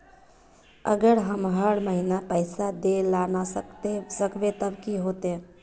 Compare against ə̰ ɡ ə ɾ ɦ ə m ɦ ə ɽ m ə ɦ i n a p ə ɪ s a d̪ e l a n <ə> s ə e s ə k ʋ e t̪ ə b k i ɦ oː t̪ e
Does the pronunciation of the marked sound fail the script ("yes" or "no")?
yes